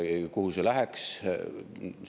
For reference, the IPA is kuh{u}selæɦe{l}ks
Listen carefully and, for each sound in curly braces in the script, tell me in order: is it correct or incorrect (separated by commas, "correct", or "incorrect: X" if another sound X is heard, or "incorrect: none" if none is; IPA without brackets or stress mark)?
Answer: correct, incorrect: none